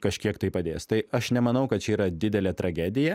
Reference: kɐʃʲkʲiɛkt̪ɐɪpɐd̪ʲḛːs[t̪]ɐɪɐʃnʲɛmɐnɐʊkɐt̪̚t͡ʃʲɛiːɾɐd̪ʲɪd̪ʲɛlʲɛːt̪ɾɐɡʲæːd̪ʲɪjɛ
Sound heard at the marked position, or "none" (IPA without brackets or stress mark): t̪